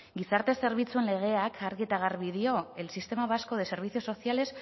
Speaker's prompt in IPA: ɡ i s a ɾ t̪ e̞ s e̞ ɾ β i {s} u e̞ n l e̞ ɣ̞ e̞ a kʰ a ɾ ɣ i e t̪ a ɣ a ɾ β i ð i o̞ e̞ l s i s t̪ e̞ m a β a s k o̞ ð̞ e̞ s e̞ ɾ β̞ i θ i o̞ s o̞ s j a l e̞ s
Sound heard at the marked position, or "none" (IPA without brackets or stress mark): t͡s